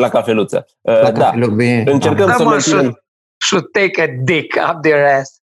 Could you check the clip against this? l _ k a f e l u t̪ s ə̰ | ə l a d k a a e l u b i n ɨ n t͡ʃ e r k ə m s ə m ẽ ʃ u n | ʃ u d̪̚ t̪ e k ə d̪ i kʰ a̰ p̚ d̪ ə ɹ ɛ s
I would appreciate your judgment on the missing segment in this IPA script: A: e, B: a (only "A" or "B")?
B